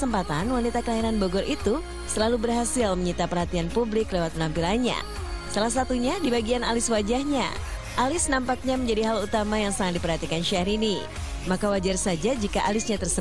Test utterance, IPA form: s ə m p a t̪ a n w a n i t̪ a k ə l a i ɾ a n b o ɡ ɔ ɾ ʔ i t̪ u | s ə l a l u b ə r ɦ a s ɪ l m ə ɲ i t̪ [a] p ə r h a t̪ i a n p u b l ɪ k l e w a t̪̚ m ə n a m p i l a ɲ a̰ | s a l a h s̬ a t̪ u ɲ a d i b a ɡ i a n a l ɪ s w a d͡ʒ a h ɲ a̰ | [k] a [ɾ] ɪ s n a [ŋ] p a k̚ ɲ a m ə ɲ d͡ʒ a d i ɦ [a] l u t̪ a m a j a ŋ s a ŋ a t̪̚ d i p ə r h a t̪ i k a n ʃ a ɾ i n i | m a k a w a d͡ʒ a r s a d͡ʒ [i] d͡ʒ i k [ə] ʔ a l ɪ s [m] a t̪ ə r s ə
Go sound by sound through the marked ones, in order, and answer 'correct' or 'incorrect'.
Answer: correct, incorrect: ʔ, incorrect: l, incorrect: m, correct, incorrect: a, incorrect: a, incorrect: ɲ

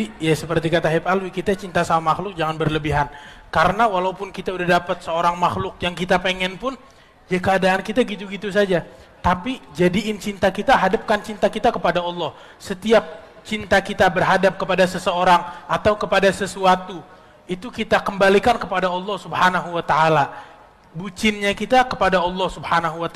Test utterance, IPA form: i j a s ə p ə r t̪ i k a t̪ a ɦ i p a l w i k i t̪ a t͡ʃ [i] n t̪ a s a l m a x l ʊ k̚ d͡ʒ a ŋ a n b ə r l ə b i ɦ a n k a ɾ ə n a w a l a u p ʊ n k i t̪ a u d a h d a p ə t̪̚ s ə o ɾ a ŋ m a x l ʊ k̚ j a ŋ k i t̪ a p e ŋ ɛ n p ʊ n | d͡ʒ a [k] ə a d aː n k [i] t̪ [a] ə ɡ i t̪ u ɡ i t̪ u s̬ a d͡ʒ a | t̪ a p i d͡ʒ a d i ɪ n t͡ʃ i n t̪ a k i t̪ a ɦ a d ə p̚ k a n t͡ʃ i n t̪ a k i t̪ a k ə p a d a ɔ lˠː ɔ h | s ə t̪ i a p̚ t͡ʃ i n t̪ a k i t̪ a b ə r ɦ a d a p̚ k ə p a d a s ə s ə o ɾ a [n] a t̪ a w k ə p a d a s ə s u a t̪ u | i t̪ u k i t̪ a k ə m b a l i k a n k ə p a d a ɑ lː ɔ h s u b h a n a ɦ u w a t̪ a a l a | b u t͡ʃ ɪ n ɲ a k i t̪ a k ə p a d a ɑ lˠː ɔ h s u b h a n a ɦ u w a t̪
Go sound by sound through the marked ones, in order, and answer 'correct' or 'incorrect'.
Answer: correct, correct, correct, correct, incorrect: ŋ

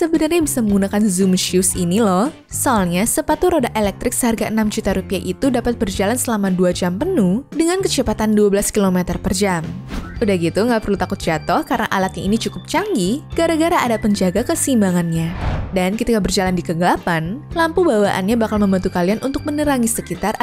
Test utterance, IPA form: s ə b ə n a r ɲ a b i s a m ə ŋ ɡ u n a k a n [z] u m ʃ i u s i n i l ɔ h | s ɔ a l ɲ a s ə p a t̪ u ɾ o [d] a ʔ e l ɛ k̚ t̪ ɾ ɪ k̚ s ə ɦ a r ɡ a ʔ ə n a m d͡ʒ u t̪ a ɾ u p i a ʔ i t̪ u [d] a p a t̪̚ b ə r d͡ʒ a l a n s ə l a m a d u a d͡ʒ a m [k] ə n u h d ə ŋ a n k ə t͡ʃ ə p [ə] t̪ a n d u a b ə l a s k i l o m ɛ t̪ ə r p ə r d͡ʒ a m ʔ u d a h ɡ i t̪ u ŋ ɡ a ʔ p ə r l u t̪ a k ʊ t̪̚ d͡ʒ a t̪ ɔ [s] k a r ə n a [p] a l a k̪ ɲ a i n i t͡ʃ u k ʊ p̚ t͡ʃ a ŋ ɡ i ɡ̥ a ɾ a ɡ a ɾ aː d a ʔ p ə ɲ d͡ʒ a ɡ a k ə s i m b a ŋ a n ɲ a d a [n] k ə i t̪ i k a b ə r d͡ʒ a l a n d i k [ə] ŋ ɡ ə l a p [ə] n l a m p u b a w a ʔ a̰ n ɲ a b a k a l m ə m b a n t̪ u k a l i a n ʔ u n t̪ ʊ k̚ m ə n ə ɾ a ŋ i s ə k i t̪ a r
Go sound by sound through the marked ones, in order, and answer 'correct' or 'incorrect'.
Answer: correct, correct, correct, incorrect: p, incorrect: a, incorrect: h, incorrect: ʔ, correct, correct, incorrect: a

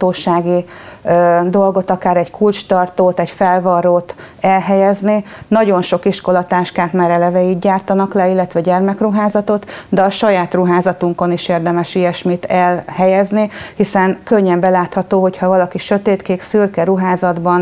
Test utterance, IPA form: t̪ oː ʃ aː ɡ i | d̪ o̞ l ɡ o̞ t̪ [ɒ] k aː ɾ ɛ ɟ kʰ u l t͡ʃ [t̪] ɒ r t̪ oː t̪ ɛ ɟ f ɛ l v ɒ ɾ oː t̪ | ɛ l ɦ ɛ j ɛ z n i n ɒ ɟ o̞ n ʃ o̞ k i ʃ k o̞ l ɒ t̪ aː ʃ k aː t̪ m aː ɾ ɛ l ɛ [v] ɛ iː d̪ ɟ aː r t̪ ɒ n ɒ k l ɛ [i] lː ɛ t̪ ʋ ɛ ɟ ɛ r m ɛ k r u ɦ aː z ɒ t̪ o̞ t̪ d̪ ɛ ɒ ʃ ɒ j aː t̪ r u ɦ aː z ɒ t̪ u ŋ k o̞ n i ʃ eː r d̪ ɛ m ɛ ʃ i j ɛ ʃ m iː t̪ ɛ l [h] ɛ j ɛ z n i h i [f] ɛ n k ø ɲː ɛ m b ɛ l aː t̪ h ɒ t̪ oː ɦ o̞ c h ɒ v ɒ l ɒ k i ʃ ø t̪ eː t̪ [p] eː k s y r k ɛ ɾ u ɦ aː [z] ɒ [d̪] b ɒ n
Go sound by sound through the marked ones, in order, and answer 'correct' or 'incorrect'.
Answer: correct, correct, correct, correct, correct, incorrect: s, incorrect: k, correct, correct

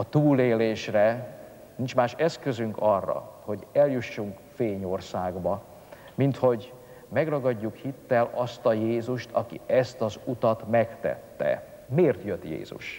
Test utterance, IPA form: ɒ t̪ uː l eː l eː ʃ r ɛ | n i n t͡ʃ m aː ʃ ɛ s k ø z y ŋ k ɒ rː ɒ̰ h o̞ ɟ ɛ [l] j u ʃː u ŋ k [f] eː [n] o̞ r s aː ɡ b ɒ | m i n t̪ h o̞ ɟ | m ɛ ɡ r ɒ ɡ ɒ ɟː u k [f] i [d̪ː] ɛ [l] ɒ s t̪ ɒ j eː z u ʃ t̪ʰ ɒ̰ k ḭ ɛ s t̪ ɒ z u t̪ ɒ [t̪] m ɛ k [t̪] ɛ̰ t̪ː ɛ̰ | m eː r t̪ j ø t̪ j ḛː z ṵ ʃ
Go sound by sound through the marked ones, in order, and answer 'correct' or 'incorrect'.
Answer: correct, correct, incorrect: ɲ, incorrect: h, incorrect: t̪ː, correct, correct, correct

